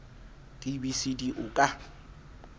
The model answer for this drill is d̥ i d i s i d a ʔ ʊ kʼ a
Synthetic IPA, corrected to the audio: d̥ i b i s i d i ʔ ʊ kʼ a